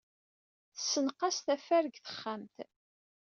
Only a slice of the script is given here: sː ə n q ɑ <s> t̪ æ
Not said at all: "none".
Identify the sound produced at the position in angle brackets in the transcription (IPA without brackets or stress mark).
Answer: s